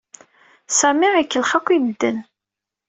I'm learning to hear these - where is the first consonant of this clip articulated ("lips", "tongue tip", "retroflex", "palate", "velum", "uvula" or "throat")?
tongue tip